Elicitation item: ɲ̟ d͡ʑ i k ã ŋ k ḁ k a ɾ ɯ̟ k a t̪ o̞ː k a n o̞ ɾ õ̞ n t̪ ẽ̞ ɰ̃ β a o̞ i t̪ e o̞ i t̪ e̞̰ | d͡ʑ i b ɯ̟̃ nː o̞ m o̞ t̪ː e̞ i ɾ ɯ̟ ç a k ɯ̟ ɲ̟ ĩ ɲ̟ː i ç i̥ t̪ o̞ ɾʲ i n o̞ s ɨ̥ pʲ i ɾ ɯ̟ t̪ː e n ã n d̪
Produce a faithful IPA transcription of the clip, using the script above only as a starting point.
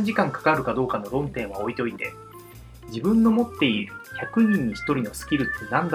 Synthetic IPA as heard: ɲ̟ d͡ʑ i k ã ŋ k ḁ k a ɾ ɯ̟ k a d̪ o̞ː k a n o̞ ɾ õ̞ n t̪ ẽ̞ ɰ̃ β a o̞ i t̪ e o̞ i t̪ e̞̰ | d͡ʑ i b ɯ̟̃ nː o̞ m o̞ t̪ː e̞ i ɾ ɯ̟ ç a k ɯ̟ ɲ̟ ĩ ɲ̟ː i ç i̥ t̪ o̞ ɾʲ i n o̞ s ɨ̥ kʲ i ɾ ɯ̟ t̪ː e n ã n d̪